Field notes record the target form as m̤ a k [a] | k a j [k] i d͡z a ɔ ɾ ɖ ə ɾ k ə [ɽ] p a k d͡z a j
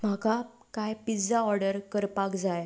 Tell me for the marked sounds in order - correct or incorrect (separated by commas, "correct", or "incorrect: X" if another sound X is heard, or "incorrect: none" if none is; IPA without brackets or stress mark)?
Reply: correct, incorrect: p, incorrect: ɾ